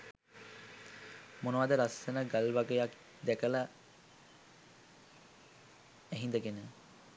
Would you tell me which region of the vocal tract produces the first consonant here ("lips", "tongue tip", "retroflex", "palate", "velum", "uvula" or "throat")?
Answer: lips